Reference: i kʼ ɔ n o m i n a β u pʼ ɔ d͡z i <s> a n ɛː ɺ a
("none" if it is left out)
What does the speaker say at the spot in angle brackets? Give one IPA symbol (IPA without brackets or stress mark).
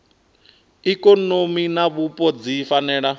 f